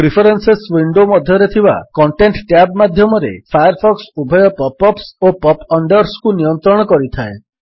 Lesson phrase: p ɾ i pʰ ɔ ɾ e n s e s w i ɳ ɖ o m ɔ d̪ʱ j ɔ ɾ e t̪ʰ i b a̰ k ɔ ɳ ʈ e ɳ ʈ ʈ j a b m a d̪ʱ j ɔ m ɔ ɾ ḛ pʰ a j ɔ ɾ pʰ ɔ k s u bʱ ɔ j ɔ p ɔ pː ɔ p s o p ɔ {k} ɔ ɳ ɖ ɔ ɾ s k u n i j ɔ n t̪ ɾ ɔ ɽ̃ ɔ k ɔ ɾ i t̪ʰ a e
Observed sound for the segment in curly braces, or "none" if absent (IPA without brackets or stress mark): p